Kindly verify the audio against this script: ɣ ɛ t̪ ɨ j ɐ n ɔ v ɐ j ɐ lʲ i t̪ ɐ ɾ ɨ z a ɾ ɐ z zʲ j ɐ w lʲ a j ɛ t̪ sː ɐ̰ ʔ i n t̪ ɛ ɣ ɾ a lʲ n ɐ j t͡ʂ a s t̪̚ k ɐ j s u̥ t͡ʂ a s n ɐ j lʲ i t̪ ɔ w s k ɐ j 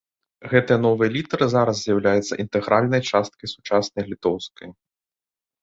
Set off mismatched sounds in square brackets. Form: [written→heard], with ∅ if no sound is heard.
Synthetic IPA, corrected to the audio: ɣ ɛ t̪ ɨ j ɐ n ɔ v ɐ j ɐ lʲ i t̪ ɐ ɾ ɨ z a ɾ ɐ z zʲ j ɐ w lʲ a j ɛ t̪ sː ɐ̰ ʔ i n t̪ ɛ ɣ ɾ a lʲ n ɐ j t͡ʂ a s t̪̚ k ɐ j s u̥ t͡ʂ a s n ɐ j lʲ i t̪ ɔ w s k ɐ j